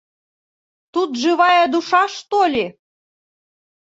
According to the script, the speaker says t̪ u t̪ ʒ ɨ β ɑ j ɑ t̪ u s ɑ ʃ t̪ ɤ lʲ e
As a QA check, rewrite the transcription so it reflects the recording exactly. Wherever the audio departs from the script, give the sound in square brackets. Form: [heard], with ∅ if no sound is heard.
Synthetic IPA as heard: t̪ u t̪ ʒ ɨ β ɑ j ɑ [d̪] u [ʃ] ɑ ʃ t̪ [o] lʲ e